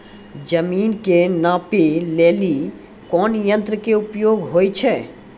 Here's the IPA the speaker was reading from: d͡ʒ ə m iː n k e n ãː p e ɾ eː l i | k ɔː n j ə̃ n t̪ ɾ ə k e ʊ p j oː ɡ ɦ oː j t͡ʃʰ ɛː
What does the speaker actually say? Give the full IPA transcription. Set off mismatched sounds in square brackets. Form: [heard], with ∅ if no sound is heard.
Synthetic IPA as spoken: d͡ʒ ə m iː n k e n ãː p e [l] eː l i | k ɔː n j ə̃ n t̪ ɾ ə k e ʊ p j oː ɡ ɦ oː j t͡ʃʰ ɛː